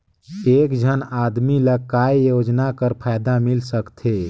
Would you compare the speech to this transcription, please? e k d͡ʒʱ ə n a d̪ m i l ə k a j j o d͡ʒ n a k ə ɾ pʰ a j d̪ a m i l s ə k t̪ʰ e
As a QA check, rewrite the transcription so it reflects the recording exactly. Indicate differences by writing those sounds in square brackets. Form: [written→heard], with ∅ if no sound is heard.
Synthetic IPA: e k d͡ʒʱ ə n a d̪ m i l ə k a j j o d͡ʒ n a k ə ɾ pʰ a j d̪ a m i l s ə k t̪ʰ e